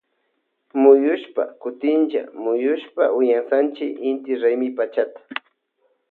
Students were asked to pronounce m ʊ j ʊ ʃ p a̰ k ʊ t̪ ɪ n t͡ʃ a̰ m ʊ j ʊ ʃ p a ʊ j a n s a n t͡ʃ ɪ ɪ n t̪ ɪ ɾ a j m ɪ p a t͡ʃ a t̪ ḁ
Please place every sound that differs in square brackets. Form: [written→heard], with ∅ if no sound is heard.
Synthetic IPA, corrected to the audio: m ʊ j ʊ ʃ p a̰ k ʊ t̪ ɪ n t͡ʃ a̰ m ʊ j ʊ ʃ p a ʊ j a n s a n t͡ʃ ɪ ɪ n t̪ ɪ ɾ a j m ɪ p a t͡ʃ a t̪ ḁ